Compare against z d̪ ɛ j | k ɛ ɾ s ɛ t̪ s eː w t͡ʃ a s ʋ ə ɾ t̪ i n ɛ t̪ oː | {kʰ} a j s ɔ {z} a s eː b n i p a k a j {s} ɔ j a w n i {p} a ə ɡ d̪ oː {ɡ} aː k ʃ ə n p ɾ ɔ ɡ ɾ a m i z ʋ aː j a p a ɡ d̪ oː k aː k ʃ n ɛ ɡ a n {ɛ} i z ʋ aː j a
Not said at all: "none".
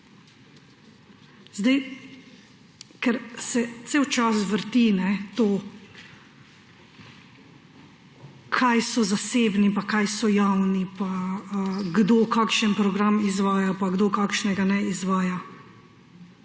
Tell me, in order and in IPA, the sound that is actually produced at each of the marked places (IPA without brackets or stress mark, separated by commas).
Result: kʰ, z, s, p, k, ɛ